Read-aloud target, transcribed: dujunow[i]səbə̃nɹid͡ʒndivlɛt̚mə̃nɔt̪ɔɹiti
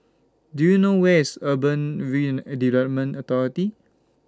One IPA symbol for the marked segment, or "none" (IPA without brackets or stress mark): ɛ